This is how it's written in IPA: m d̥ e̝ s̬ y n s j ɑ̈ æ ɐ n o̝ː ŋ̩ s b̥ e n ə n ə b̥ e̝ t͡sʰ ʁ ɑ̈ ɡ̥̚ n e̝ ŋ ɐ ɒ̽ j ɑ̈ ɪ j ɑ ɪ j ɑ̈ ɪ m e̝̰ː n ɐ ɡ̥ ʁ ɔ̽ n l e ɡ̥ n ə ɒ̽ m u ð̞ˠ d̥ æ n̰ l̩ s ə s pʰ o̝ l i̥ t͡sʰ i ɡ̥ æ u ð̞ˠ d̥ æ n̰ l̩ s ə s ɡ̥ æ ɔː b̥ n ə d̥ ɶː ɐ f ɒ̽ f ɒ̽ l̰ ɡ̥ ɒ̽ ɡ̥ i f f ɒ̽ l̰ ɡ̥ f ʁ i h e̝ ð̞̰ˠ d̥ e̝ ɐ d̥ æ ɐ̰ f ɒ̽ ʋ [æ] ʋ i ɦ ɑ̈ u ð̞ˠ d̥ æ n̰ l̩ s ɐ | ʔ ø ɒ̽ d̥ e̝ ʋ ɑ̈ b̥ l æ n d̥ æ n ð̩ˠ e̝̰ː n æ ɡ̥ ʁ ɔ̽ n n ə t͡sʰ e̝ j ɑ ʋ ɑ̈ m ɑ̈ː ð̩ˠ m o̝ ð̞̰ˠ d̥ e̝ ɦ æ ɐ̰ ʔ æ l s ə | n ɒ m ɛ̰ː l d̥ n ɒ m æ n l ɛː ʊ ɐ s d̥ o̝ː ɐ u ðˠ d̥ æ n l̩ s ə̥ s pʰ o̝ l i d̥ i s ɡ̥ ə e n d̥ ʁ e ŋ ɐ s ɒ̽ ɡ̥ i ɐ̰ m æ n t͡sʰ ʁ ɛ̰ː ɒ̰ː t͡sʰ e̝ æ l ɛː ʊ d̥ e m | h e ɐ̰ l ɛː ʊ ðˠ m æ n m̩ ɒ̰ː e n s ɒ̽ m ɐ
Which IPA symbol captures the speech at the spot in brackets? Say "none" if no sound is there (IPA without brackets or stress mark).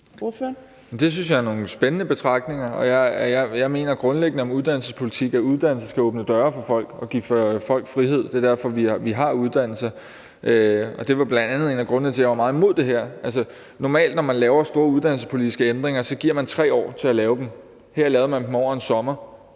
i